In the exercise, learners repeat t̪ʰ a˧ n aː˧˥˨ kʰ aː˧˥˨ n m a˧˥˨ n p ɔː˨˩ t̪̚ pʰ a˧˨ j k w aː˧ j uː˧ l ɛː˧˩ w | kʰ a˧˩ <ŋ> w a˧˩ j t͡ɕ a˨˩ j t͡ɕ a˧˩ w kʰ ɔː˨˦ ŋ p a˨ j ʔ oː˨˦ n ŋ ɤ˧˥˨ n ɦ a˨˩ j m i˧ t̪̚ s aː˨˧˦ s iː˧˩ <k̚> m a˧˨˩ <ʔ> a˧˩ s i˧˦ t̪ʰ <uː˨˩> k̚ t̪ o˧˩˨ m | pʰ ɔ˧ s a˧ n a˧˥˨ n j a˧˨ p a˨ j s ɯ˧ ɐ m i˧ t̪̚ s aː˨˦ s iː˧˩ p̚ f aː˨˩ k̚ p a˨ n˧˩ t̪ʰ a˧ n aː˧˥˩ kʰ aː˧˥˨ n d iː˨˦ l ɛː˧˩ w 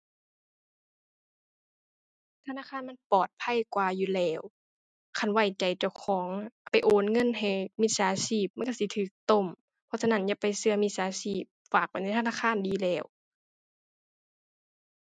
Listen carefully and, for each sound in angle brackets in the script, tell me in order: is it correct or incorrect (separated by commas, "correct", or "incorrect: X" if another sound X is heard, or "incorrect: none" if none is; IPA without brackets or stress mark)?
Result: incorrect: n, incorrect: p̚, incorrect: k, incorrect: ɯː˨˩